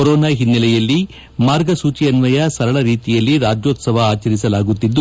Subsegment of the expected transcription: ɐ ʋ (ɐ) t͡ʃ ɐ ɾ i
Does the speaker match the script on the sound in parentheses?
no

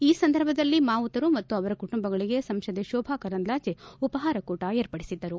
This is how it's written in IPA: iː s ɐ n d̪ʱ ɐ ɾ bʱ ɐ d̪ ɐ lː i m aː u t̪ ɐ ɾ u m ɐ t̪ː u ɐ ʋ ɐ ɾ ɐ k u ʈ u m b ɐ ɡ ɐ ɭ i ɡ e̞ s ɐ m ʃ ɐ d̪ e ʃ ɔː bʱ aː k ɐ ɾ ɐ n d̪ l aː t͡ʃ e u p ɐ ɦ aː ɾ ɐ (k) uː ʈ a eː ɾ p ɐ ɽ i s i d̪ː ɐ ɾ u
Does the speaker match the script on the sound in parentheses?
yes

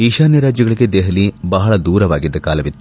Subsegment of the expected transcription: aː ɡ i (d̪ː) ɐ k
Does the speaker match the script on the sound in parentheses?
yes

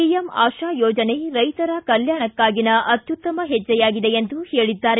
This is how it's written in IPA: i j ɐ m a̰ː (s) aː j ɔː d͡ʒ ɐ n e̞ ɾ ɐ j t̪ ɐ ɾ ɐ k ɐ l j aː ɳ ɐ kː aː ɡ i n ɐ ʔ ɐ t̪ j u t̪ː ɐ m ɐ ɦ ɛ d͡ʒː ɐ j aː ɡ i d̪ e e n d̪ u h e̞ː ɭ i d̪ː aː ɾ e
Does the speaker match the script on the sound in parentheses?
no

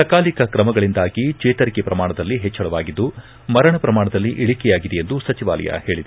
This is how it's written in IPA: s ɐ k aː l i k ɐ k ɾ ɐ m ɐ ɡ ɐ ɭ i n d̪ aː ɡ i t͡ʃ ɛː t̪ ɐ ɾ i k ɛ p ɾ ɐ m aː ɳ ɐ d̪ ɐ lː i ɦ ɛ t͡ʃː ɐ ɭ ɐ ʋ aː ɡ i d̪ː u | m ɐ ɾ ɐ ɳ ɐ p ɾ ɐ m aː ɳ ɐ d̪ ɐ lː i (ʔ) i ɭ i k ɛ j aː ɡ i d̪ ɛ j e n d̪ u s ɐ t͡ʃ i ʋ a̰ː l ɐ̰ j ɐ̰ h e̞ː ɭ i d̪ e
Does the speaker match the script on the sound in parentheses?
yes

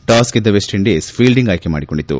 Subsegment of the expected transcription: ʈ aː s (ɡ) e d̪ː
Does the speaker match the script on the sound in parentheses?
no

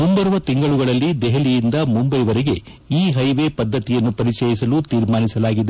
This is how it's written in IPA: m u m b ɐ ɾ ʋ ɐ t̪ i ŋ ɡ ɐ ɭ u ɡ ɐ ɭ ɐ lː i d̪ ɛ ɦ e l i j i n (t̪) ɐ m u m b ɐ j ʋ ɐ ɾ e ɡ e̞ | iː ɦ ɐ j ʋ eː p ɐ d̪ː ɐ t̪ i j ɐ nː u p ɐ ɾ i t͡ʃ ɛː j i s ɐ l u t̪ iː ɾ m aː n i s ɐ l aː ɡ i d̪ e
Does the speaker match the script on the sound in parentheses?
no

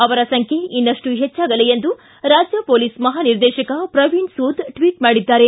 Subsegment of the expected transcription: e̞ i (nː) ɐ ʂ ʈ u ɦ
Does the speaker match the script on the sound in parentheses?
yes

